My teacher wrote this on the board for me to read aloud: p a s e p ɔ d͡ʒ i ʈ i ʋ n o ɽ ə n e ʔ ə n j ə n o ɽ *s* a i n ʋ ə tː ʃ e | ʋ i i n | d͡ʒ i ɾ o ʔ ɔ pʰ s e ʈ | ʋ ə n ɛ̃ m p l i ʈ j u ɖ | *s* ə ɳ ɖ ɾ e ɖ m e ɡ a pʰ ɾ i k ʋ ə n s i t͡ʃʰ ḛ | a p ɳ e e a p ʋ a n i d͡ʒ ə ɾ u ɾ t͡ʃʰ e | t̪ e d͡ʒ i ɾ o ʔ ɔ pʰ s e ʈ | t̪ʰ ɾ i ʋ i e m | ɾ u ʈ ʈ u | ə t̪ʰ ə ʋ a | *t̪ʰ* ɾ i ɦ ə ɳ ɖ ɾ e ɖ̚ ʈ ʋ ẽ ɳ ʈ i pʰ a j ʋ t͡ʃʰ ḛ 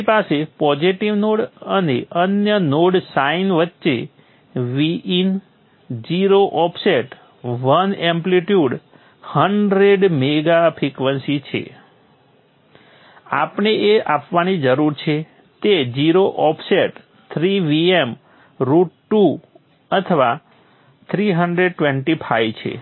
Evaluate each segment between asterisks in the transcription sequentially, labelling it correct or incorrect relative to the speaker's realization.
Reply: correct, incorrect, correct

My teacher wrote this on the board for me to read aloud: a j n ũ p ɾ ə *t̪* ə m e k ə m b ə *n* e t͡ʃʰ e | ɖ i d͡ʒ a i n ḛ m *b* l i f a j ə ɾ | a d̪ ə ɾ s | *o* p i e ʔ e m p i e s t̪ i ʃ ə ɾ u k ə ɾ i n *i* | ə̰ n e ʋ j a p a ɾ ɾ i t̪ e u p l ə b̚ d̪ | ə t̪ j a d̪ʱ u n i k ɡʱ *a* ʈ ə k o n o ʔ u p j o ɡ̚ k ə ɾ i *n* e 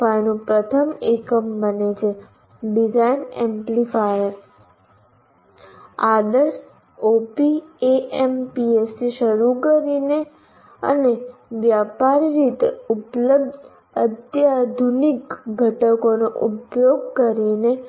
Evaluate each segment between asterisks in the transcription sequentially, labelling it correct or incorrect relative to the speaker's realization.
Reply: incorrect, correct, incorrect, correct, incorrect, incorrect, correct

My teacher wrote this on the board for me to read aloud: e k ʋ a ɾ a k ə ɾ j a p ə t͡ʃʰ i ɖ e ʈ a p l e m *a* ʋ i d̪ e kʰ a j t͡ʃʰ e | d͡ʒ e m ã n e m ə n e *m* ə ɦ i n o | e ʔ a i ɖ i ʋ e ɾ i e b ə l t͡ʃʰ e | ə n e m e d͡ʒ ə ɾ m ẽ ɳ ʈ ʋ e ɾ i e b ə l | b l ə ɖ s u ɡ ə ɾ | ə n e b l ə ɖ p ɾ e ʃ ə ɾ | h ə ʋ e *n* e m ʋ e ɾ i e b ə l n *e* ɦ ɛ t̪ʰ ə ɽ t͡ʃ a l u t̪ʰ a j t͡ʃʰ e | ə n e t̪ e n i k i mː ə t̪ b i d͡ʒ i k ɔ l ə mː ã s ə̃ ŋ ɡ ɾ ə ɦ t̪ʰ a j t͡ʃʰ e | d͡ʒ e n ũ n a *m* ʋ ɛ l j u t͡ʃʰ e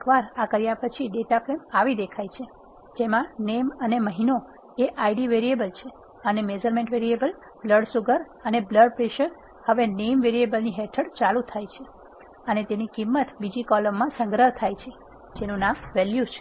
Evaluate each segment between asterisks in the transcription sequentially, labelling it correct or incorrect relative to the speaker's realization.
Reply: correct, correct, correct, incorrect, correct

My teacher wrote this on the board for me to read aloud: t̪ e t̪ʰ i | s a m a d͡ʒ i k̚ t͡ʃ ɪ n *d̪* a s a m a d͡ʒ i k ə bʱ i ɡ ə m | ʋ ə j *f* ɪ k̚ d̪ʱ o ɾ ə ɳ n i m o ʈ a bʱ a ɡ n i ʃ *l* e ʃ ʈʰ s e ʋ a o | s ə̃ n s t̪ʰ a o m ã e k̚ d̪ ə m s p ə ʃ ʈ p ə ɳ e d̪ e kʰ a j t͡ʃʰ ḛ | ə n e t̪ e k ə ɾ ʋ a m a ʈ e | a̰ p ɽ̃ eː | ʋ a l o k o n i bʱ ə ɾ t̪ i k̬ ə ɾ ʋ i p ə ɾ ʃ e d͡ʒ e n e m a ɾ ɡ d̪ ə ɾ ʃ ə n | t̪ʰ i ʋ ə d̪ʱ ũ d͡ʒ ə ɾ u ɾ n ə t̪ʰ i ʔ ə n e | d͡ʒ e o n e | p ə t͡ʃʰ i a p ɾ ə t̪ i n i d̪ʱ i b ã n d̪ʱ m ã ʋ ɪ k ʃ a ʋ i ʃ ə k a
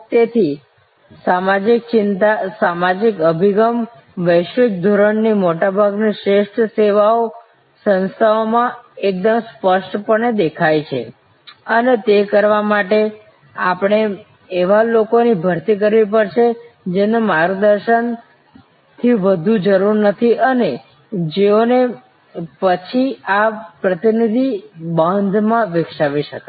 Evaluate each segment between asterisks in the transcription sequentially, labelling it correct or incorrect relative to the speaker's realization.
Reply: incorrect, incorrect, incorrect

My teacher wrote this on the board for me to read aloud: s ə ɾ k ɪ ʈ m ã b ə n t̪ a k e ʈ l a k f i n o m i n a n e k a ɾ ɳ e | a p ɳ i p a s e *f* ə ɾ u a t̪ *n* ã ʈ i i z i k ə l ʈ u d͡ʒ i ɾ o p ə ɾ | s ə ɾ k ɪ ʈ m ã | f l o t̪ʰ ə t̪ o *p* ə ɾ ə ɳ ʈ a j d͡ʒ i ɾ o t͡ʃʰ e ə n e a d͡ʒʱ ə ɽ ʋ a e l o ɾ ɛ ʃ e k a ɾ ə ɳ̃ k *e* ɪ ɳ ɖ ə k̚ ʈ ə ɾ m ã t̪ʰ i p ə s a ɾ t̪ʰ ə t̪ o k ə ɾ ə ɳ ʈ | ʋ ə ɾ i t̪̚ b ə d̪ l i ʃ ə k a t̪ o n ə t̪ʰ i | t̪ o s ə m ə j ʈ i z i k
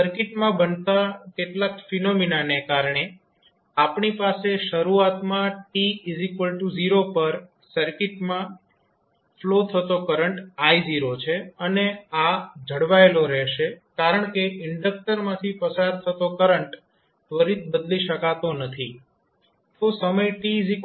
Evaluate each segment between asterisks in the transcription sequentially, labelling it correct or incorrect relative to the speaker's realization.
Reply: incorrect, incorrect, incorrect, correct

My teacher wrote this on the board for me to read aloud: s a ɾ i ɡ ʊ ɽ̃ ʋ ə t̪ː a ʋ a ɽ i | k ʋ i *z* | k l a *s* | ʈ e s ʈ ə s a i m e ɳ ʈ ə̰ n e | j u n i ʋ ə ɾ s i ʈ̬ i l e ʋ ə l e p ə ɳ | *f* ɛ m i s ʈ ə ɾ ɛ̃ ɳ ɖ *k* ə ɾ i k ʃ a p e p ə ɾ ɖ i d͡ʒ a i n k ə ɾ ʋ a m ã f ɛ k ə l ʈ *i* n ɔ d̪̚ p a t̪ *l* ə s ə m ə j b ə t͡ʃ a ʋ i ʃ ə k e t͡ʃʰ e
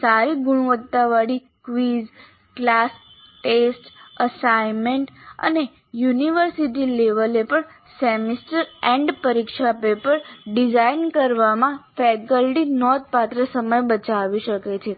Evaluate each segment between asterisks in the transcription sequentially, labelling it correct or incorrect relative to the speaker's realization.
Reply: correct, correct, incorrect, incorrect, correct, incorrect

